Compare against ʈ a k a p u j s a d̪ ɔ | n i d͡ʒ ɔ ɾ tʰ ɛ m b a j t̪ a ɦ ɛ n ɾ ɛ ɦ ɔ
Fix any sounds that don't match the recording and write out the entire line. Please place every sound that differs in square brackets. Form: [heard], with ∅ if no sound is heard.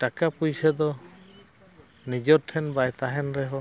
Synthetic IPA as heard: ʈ a k a p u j s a d̪ ɔ | n i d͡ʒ ɔ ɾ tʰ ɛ [n] b a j t̪ a ɦ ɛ n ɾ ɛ ɦ ɔ